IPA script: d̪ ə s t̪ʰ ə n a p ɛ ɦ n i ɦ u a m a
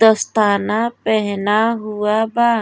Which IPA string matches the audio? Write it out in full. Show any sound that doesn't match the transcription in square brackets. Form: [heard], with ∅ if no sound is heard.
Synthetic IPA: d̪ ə s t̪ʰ [a] n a p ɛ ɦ n [a] ɦ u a [b] a